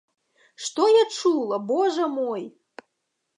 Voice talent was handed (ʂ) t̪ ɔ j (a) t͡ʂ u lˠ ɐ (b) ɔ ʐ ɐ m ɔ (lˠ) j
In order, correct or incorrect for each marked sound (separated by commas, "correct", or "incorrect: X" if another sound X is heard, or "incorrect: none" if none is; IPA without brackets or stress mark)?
correct, correct, correct, incorrect: none